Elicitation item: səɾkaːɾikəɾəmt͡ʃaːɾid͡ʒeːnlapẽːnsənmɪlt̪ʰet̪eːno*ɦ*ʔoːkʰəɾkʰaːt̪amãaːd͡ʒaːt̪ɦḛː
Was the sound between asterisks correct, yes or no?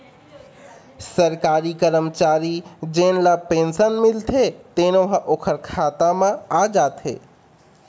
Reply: yes